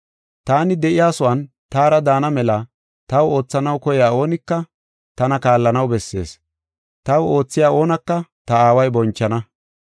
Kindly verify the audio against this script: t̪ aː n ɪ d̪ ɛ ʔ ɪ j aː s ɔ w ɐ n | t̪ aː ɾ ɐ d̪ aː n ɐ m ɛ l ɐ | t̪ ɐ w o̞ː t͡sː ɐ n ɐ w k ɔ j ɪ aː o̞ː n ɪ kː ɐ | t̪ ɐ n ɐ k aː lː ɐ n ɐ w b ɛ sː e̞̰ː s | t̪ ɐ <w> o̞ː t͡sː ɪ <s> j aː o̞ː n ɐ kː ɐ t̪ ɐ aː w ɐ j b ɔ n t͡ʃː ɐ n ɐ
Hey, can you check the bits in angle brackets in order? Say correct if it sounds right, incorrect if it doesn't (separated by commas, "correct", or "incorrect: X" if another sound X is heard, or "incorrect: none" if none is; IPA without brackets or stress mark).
correct, incorrect: none